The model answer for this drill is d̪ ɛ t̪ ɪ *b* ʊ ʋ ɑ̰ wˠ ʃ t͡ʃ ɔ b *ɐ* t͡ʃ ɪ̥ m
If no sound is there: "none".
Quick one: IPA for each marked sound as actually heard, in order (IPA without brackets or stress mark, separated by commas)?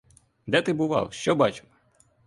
b, ɑ